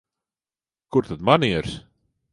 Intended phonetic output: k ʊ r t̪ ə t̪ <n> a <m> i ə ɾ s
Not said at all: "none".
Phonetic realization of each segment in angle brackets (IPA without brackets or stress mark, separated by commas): m, n